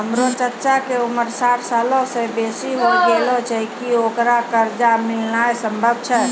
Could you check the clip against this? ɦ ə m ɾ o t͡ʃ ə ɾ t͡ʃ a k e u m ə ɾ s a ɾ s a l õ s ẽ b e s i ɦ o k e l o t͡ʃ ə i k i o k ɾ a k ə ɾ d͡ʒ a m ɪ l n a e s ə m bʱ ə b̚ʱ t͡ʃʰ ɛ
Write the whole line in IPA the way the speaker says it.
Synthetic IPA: ɦ ə m ɾ o t͡ʃ ə ɾ t͡ʃ a k e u m ə ɾ s a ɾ s a l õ s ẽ b e s i ɦ o ɡ e l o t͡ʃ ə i k i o k ɾ a k ə ɾ d͡ʒ a m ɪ l n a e s ə m bʱ ə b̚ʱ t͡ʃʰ ɛ

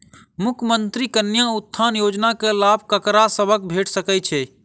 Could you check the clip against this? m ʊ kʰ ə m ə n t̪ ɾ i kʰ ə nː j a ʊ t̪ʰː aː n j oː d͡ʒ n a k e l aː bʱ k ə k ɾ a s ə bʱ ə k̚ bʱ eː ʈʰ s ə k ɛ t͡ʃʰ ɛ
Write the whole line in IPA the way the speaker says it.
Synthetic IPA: m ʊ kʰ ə m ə n t̪ ɾ i k ə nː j a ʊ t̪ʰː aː n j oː d͡ʒ n a k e l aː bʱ k ə k ɾ a s ə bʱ ə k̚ bʱ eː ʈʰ s ə k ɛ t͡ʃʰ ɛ

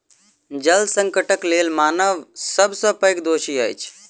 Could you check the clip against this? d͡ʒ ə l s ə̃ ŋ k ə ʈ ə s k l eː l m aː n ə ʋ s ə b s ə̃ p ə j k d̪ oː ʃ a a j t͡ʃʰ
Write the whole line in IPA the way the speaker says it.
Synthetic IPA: d͡ʒ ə l s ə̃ ŋ k ə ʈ ə k l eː l m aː n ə ʋ s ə b s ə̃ p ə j k d̪ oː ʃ i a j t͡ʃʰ

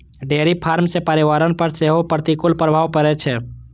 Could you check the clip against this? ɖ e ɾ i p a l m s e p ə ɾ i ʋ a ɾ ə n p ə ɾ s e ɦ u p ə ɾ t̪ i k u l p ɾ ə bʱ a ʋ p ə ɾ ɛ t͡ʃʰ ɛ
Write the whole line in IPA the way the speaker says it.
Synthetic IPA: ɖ e ɾ i pʰ a ɾ m s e p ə ɾ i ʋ a ɾ ə n p ə ɾ s e ɦ o p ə ɾ t̪ i k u l p ɾ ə bʱ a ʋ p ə ɾ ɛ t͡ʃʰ ɛ

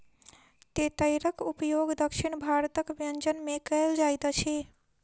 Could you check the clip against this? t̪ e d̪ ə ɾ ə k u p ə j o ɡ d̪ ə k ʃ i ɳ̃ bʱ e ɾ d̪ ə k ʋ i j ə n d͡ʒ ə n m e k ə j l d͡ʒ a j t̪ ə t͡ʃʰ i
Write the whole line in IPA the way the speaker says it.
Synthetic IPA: t̪ e t̪ ə ɾ ə k u p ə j o ɡ d̪ ə k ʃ i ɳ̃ bʱ a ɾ t̪ ə k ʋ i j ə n d͡ʒ ə n m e k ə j l d͡ʒ a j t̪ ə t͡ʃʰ i

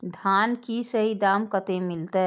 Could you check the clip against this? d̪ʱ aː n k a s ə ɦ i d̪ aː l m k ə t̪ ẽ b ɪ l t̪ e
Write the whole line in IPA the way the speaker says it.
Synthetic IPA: d̪ʱ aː n k i s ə ɦ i d̪ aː m k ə t̪ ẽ m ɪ l t̪ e

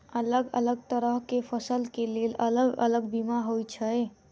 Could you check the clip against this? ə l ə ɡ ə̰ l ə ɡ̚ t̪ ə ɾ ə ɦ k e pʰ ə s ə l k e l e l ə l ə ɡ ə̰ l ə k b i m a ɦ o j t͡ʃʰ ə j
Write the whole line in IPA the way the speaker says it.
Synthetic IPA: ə l ə ɡ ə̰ l ə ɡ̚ t̪ ə ɾ ə ɦ k e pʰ ə s ə l k e l e l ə l ə ɡ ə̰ l ə ɡ b i m a ɦ o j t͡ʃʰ ə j

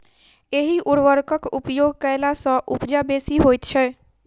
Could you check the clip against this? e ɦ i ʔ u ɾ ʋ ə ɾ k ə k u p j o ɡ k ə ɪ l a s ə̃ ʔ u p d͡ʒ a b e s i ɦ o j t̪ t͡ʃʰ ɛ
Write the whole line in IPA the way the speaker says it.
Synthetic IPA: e ɦ i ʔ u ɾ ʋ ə ɾ k ə k u p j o ɡ k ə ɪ l a s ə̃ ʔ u p d͡ʒ a b e s i ɦ o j t̪ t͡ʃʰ ɛ

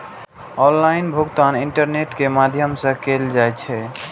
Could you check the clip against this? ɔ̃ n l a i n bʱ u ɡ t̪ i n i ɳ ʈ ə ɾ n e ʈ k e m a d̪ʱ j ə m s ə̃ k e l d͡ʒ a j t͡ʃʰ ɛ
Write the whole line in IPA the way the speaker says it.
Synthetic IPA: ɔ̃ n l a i n bʱ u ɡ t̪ a n i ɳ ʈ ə ɾ n e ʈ k e m a d̪ʱ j ə m s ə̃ k e l d͡ʒ a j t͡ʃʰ ɛ

